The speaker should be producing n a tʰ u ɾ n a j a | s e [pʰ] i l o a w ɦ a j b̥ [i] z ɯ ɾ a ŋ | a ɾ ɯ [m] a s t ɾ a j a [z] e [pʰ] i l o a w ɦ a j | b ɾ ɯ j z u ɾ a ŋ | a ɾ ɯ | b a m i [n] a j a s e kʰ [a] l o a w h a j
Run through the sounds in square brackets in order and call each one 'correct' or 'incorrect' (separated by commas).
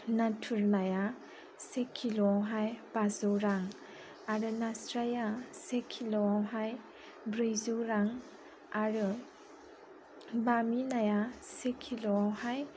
incorrect, incorrect, incorrect, incorrect, incorrect, correct, incorrect